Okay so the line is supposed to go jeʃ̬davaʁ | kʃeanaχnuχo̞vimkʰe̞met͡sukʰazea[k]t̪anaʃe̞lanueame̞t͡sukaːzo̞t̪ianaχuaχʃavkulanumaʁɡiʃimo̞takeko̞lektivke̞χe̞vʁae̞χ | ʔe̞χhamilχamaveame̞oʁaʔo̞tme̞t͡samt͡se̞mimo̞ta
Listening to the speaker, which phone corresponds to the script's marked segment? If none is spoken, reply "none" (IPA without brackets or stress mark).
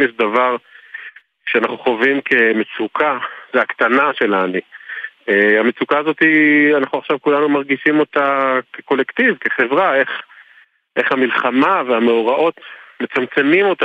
k